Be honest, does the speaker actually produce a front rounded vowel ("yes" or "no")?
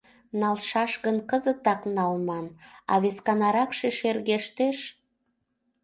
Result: no